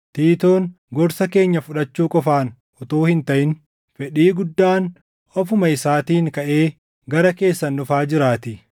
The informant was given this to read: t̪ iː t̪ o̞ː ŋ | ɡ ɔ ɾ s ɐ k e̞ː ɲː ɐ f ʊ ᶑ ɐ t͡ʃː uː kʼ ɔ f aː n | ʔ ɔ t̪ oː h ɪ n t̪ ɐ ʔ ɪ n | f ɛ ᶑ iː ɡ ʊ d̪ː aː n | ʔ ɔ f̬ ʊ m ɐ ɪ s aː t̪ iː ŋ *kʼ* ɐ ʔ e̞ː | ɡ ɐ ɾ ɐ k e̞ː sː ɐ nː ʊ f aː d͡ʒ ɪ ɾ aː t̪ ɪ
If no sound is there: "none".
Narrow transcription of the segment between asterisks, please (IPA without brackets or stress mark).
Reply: k